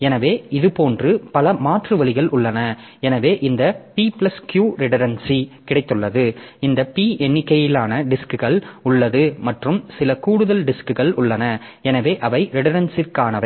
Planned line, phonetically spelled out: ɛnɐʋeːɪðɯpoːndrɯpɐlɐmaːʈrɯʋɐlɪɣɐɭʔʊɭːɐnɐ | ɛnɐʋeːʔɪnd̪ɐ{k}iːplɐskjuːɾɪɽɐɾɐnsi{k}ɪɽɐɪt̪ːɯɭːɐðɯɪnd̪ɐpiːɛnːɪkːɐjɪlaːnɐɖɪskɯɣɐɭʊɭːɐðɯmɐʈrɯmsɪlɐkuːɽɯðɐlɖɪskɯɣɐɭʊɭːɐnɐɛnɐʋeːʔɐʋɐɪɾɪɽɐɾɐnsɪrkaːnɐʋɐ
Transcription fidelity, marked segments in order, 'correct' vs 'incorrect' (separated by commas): incorrect, correct